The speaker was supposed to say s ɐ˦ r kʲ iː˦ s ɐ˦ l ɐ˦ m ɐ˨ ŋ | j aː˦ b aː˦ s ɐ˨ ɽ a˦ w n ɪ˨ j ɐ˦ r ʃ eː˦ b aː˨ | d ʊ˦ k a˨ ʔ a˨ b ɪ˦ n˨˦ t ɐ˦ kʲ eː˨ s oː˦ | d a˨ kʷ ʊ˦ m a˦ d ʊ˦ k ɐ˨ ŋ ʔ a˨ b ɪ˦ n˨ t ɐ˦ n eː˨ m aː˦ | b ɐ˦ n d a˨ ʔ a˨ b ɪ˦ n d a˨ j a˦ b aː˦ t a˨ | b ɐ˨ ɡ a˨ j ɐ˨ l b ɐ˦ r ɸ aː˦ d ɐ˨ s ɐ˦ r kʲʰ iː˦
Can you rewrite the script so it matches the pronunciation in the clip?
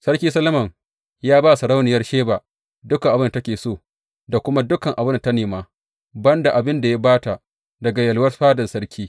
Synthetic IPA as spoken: s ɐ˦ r kʲ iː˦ s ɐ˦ l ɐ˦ m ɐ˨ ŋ | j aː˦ b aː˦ s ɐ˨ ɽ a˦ w n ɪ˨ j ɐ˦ r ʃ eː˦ b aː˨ | d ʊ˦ k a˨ ʔ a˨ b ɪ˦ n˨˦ t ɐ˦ kʲ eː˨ s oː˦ | d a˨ kʷ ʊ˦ m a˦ d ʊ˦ k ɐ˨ ŋ ʔ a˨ b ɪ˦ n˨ t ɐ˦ n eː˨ m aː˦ | b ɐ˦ n d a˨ ʔ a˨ b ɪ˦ n d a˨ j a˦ b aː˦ t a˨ | d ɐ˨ ɡ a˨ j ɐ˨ l w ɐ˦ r ɸ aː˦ d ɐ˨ s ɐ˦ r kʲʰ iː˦